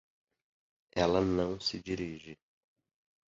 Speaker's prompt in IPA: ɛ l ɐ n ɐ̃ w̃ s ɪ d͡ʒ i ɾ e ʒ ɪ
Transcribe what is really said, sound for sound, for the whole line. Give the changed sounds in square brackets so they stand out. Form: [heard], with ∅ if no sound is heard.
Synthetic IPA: ɛ l ɐ n ɐ̃ w̃ s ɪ d͡ʒ i ɾ [i] ʒ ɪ